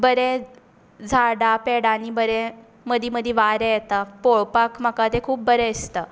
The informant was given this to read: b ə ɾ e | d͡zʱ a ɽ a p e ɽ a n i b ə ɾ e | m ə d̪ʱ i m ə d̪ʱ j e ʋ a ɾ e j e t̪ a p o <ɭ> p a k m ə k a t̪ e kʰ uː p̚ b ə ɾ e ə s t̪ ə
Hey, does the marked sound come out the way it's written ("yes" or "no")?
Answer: yes